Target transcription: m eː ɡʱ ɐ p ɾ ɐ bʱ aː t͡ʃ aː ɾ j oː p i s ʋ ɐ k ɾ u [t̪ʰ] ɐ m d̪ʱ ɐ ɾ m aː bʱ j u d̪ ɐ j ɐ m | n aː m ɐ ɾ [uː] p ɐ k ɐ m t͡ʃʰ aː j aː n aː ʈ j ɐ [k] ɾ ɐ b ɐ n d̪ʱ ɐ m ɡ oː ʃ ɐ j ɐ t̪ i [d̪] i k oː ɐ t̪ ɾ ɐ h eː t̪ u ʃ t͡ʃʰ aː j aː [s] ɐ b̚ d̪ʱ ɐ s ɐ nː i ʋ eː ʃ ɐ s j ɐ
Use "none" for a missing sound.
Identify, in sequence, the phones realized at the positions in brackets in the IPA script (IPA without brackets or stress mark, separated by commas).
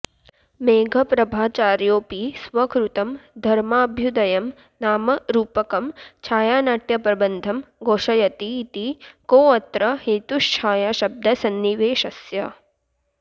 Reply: t̪, uː, p, t̪, ʃ